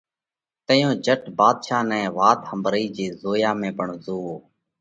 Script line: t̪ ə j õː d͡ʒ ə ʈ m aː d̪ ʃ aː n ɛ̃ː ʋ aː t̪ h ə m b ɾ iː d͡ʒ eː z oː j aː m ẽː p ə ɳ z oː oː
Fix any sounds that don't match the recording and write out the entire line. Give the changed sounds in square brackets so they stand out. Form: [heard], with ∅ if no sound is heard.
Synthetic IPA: t̪ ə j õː d͡ʒ ə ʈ [b] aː d̪ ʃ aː n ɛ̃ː ʋ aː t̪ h ə m b ɾ iː d͡ʒ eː z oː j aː m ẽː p ə ɳ z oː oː